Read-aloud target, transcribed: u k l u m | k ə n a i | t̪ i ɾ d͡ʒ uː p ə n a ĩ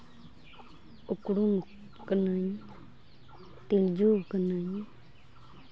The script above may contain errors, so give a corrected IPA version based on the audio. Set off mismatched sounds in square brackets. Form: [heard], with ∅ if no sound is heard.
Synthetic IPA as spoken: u k [ɽ] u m | k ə n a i | t̪ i [l] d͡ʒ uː [k] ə n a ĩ